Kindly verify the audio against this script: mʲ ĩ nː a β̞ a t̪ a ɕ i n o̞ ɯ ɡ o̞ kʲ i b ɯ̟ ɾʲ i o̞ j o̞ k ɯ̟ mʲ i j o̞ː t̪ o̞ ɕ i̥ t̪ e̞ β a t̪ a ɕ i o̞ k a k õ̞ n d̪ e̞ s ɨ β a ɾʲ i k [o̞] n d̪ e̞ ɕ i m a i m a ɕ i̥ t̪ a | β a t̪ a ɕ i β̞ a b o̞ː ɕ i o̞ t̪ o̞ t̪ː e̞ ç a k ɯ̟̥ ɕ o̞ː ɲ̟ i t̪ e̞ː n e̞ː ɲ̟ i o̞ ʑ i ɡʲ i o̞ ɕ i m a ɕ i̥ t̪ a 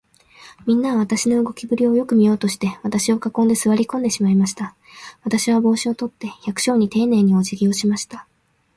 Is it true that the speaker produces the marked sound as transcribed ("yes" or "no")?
no